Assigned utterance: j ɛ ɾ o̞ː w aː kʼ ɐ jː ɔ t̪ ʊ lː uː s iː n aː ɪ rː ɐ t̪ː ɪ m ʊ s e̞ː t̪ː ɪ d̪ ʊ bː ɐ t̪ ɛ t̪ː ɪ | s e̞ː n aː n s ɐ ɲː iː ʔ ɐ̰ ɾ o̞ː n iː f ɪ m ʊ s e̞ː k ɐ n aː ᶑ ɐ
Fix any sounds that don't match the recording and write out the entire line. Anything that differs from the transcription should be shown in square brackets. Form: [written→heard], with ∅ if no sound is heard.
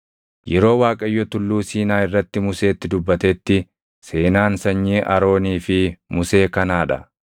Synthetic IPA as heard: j ɛ ɾ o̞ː w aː kʼ ɐ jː ɔ t̪ ʊ lː uː s iː n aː ɪ rː ɐ t̪ː ɪ m ʊ s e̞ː t̪ː ɪ d̪ ʊ bː ɐ t̪ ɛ t̪ː ɪ | s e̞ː n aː n s ɐ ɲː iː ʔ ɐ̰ ɾ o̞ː n iː f ɪ m ʊ s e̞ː k ɐ n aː ᶑ ɐ